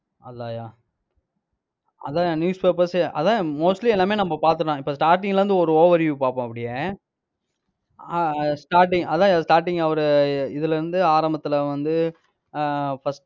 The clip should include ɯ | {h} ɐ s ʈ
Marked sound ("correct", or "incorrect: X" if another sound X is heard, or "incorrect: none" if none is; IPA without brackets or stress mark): incorrect: f